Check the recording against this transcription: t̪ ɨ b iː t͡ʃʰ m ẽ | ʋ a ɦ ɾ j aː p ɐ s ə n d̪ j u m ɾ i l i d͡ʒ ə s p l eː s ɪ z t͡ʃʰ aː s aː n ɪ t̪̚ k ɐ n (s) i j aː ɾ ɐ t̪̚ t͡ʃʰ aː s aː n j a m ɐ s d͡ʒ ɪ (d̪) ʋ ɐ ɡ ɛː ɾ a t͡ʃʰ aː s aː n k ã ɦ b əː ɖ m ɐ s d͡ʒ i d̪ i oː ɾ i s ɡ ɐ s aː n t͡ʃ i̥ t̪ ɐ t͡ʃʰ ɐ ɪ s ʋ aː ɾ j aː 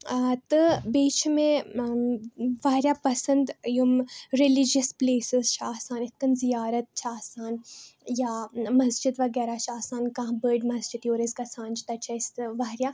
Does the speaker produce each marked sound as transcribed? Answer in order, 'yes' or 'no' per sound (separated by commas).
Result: no, yes